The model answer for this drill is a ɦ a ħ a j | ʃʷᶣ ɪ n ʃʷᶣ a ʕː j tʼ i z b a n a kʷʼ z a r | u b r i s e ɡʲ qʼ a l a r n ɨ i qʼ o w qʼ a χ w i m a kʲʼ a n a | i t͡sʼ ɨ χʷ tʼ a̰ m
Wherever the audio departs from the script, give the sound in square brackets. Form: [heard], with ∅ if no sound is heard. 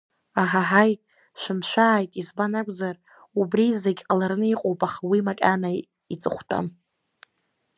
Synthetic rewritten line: a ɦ a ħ a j | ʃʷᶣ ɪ [m] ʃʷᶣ a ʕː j tʼ i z b a n a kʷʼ z a r | u b r i [z] e ɡʲ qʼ a l a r n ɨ i qʼ o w [pʼ] a χ w i m a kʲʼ a n a | i t͡sʼ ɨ χʷ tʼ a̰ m